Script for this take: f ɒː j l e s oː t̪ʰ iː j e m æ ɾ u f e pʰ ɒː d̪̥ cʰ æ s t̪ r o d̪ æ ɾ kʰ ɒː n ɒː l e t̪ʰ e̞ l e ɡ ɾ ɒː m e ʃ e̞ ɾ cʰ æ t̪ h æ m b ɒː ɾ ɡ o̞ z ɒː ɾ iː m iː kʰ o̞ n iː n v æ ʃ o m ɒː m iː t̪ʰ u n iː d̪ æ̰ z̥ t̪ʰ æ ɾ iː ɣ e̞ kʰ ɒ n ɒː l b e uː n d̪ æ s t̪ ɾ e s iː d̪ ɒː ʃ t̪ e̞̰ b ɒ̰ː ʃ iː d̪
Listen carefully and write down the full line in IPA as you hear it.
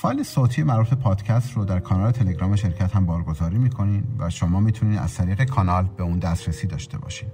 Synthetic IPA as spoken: f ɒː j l e s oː t̪ʰ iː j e m æ ɾ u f e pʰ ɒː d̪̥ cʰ æ s t̪ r o d̪ æ ɾ kʰ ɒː n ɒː l e t̪ʰ e̞ l e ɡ ɾ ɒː m e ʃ e̞ ɾ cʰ æ t̪ h æ m b ɒː ɾ ɡ o̞ z ɒː ɾ iː m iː kʰ o̞ n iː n v æ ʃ o m ɒː m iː t̪ʰ u n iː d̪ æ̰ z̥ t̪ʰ æ ɾ iː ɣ e̞ kʰ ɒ n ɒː l b e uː n d̪ æ s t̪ ɾ e s iː d̪ ɒː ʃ t̪ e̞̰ b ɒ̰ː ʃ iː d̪